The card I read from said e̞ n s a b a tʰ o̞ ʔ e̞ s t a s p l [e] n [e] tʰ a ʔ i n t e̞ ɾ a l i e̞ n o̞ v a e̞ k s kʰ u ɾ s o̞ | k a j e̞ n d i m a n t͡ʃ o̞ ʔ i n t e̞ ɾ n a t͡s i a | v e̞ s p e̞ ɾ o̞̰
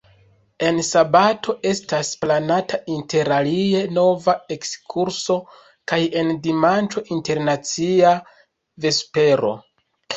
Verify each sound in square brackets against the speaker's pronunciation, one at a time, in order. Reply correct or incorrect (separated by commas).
incorrect, incorrect